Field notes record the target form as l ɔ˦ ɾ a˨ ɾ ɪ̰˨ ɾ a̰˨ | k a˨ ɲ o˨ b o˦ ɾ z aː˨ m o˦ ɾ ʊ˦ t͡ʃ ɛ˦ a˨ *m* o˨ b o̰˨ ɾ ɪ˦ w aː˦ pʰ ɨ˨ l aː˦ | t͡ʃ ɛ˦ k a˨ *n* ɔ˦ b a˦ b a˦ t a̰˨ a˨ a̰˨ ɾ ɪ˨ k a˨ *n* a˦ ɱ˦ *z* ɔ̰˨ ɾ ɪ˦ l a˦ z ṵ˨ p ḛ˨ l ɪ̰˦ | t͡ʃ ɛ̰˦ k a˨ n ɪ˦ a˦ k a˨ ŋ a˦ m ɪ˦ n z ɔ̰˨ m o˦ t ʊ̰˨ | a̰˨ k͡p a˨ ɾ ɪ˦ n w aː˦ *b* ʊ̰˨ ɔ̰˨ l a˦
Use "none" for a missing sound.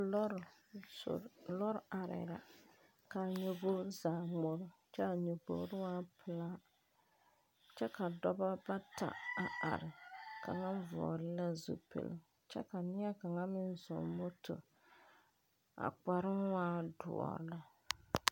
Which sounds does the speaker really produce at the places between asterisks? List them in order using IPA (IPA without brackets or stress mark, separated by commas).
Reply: ɲ, d, ŋ, v, d